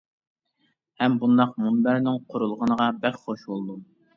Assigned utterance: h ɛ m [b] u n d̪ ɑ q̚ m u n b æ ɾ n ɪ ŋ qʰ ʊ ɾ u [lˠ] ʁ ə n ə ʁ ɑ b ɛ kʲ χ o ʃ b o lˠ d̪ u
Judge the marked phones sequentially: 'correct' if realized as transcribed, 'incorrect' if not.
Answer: correct, correct

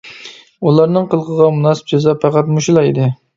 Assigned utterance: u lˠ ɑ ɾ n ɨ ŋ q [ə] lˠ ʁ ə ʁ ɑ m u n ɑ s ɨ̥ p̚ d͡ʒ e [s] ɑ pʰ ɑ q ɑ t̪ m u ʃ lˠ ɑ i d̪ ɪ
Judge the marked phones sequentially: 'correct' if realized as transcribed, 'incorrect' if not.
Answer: correct, incorrect: z

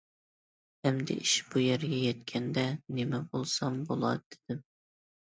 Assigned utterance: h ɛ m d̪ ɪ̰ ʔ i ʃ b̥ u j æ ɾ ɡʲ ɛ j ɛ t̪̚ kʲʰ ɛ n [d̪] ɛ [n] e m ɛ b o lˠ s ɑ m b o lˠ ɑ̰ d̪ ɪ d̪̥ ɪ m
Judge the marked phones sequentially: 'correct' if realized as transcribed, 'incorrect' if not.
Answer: correct, correct

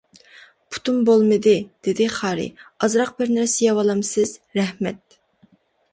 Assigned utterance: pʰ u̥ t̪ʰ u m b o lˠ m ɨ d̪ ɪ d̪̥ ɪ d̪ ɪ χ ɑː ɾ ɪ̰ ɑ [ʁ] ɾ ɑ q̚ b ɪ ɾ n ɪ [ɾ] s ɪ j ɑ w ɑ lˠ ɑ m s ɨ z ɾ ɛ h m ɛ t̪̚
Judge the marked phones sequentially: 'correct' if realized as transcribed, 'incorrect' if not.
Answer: incorrect: z, correct

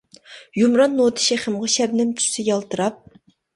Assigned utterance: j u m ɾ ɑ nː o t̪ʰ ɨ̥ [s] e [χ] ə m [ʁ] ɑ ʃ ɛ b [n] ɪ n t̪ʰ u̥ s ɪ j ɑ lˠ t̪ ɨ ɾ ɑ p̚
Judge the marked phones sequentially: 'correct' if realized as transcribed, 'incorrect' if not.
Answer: incorrect: ʃ, correct, correct, correct

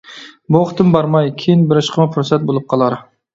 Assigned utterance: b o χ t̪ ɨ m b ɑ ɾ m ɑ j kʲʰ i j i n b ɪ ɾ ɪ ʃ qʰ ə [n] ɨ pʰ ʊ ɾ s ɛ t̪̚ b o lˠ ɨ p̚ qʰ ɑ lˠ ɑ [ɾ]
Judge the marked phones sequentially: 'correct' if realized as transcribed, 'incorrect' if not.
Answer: incorrect: m, correct

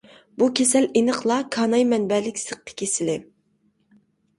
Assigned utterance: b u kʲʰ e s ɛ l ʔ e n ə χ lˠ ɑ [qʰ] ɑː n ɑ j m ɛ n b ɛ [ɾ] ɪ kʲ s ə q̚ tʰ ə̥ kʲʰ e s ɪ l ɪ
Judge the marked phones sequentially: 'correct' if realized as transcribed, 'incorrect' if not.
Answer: incorrect: kʰ, incorrect: l

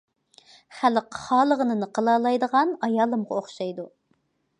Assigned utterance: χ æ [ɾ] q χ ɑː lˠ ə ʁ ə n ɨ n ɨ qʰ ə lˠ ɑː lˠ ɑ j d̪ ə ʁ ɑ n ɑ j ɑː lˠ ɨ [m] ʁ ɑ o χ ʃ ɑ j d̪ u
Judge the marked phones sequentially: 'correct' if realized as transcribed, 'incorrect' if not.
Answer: incorrect: l, correct

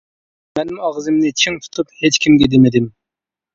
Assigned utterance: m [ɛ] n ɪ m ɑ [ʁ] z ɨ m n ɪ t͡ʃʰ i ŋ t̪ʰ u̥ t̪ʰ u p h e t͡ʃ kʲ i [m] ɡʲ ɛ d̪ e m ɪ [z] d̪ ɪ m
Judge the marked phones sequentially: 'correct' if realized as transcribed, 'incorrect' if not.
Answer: correct, correct, correct, incorrect: none

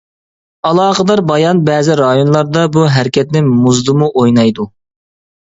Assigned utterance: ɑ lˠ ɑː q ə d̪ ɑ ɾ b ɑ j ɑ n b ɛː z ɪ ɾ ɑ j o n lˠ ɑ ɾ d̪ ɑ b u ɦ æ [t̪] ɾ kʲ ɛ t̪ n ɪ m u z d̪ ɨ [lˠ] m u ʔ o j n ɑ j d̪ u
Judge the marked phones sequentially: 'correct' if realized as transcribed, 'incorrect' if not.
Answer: incorrect: none, incorrect: none

